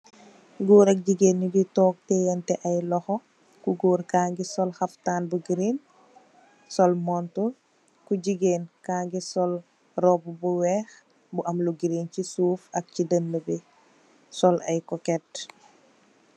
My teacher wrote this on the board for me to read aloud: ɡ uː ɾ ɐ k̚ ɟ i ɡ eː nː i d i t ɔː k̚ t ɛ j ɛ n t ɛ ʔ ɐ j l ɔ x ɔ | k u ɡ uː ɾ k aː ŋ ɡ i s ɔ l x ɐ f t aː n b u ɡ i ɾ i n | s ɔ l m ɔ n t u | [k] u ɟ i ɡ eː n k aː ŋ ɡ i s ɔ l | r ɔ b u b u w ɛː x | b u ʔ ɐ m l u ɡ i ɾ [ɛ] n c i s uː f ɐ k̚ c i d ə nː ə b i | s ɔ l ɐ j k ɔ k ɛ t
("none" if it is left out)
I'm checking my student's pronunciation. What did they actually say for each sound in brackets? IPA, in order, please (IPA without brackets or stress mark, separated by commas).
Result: k, i